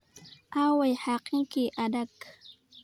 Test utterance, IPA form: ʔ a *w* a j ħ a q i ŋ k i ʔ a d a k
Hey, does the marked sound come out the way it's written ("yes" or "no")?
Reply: yes